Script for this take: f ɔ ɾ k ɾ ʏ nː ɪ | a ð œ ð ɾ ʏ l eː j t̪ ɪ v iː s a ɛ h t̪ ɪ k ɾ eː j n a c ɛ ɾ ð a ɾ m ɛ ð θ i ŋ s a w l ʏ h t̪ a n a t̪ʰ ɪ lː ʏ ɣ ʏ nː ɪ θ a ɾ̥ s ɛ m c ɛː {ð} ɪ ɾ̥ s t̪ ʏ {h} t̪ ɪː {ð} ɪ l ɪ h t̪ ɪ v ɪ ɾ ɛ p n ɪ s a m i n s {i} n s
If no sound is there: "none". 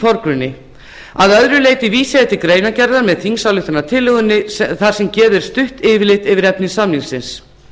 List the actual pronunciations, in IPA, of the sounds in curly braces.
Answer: ð, h, v, ɪ

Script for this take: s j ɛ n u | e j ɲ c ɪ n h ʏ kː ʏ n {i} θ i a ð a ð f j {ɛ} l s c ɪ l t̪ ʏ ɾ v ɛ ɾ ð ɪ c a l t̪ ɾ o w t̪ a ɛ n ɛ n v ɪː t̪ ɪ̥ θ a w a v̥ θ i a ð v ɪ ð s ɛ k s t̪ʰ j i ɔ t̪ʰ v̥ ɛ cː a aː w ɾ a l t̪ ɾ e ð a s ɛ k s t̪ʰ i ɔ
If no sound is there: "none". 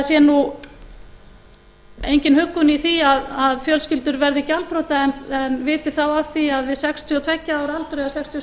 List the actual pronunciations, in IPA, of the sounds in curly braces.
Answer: i, œ

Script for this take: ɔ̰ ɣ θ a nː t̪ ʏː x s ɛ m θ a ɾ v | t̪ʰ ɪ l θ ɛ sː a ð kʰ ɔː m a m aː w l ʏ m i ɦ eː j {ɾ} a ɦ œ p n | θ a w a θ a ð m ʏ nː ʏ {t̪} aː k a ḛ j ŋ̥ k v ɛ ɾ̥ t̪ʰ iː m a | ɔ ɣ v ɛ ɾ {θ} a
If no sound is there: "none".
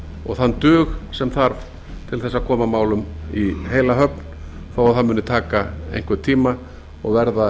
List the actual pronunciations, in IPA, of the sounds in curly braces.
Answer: l, t̪ʰ, ð

